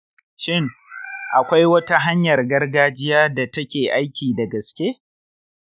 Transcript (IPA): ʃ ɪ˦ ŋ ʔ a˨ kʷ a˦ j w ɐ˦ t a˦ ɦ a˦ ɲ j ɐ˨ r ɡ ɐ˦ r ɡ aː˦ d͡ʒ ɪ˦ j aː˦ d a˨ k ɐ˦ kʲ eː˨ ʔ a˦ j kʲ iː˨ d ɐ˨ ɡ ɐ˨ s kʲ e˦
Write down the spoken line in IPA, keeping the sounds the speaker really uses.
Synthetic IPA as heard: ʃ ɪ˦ ŋ ʔ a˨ kʷ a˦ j w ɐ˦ t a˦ ɦ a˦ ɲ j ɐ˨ r ɡ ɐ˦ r ɡ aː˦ d͡ʒ ɪ˦ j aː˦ d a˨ t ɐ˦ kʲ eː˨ ʔ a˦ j kʲ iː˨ d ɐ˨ ɡ ɐ˨ s kʲ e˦